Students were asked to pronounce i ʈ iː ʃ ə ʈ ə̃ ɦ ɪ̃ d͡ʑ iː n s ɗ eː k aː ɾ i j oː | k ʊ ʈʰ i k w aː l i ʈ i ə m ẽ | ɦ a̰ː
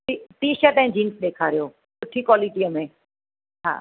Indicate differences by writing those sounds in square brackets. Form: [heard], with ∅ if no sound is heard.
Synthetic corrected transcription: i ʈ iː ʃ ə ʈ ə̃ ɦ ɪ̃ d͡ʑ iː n s ɗ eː [kʰ] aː ɾ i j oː | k ʊ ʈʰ i k w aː l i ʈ i ə m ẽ | ɦ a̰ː